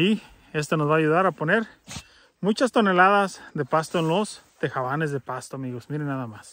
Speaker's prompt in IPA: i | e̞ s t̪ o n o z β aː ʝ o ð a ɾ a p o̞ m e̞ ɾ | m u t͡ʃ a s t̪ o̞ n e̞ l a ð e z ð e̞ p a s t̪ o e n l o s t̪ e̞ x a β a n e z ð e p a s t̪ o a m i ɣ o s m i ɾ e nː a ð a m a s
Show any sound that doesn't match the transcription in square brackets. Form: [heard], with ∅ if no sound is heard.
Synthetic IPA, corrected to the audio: i | e̞ s t̪ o n o z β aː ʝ [u] ð a ɾ a p o̞ [n] e̞ ɾ | m u t͡ʃ a s t̪ o̞ n e̞ l a ð [a] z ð e̞ p a s t̪ o e n l o s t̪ e̞ x a β a n e z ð e p a s t̪ o a m i ɣ o s m i ɾ e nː a ð a m a s

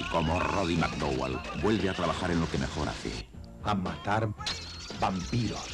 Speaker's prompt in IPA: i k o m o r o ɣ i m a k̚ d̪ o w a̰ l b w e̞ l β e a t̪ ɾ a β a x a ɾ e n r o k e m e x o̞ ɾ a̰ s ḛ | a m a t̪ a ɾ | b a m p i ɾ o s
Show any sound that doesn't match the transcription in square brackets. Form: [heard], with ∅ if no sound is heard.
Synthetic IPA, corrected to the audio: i k o m o r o [ð] i m a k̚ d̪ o w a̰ l b w e̞ l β e a t̪ ɾ a β a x a ɾ e n [l] o k e m e x o̞ ɾ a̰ [θ] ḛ | a m a t̪ a ɾ | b a m p i ɾ o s

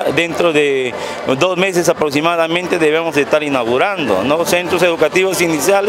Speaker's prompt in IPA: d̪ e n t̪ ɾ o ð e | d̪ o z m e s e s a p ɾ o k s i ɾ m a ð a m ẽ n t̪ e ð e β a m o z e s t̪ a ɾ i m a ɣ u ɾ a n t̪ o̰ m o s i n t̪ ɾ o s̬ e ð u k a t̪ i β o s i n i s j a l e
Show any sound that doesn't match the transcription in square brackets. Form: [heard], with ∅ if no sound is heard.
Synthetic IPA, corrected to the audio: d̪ e n t̪ ɾ o ð e | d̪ o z m e s e s a p ɾ o k s i [∅] m a ð a m ẽ n t̪ e ð e β [e] m o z e s t̪ a ɾ i [n] a ɣ u ɾ a n [d̪] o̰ [n] o s [e] n t̪ ɾ o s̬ e ð u k a t̪ i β o s i n i s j a l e

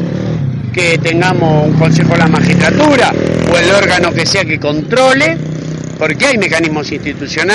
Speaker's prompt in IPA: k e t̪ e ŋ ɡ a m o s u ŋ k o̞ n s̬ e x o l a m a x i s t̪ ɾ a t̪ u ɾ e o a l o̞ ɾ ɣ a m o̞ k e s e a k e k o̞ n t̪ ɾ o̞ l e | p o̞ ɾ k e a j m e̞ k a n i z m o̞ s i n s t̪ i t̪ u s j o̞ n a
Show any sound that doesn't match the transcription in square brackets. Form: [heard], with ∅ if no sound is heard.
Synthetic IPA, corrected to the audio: k e t̪ e ŋ ɡ a m o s u ŋ k o̞ n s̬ e x o l a m a x i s t̪ ɾ a t̪ u ɾ [a] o [e] l o̞ ɾ ɣ a [n] o̞ k e s e a k e k o̞ n t̪ ɾ o̞ l e | p o̞ ɾ k e a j m e̞ k a n i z m o̞ s i n s t̪ i t̪ u s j o̞ n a

